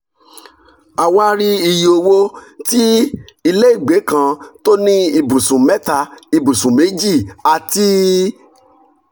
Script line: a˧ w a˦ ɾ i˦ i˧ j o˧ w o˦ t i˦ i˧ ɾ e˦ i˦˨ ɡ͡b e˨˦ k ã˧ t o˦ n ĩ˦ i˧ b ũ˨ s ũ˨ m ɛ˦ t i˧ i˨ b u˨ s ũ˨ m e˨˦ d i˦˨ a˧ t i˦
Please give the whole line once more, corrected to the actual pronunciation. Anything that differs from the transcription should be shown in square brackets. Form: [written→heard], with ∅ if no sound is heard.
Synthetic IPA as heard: a˧ w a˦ ɾ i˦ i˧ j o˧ w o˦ t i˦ i˧ [ɾ→l] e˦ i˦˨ ɡ͡b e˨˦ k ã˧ t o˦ n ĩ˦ i˧ b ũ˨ s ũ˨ m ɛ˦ t [i˧→a˧] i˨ b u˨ s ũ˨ m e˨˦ [d→d͡ʒ] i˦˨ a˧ t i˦